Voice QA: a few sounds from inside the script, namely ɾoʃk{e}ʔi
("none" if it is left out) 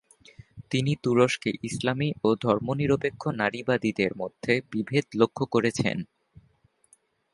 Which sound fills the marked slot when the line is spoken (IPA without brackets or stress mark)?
e